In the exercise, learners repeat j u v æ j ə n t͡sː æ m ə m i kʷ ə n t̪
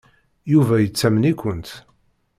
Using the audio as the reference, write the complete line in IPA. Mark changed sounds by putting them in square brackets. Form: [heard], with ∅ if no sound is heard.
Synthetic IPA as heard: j u v æ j ə [∅] t͡sː æ m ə [n] i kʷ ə n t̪